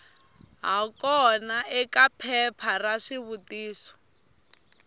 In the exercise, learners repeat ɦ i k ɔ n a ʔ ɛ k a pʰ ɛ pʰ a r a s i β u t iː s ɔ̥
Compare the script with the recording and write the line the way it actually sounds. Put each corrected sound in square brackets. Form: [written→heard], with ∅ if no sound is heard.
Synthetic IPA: ɦ [i→a] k ɔ n a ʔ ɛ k a pʰ ɛ pʰ a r a [s→ʂ] i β u t iː s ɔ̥

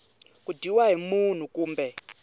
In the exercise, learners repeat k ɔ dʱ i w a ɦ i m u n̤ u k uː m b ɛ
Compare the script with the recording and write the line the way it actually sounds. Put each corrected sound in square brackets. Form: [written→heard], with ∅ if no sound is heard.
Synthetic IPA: k [ɔ→u] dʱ i w a ɦ i m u n̤ u k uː m b ɛ

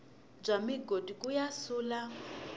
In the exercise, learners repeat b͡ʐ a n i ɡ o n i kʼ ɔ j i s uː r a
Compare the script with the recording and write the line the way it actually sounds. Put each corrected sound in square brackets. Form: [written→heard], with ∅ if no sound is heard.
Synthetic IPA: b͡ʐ a [n→m] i ɡ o [n→d] i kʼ [ɔ→u] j [i→a] s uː [r→l] a

